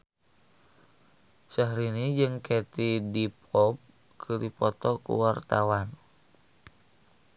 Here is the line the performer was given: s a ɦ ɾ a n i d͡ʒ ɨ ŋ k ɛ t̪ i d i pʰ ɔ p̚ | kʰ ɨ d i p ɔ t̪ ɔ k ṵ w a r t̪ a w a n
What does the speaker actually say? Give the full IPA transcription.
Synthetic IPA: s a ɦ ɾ i n i d͡ʒ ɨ ŋ k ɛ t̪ i d i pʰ ɔ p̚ | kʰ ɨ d i p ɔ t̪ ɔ k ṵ w a r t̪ a w a n